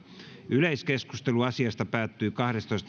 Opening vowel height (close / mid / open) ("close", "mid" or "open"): close